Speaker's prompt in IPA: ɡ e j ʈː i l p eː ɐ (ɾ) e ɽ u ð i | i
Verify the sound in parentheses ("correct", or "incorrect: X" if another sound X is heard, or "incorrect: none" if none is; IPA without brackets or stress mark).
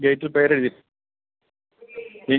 correct